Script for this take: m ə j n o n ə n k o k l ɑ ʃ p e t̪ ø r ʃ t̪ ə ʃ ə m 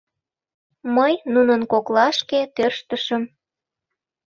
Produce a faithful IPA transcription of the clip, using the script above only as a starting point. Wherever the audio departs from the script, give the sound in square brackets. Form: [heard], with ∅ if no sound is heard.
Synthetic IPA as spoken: m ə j n [u] n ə n k o k l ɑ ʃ [k] e t̪ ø r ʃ t̪ ə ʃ ə m